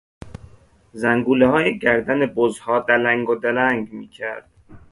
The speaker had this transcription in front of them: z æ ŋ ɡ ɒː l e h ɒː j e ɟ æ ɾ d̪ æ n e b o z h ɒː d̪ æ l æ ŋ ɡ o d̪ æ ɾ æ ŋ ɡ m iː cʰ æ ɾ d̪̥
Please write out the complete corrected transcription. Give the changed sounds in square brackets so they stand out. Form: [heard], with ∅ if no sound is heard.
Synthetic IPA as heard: z æ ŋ ɡ [uː] l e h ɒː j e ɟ æ ɾ d̪ æ n e b o z h ɒː d̪ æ l æ ŋ ɡ o d̪ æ [l] æ ŋ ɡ m iː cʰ æ ɾ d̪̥